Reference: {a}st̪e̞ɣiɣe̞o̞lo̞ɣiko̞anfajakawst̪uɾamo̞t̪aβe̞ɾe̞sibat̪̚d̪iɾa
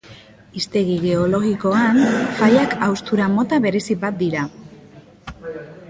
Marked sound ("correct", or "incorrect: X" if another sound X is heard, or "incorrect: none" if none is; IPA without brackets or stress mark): incorrect: i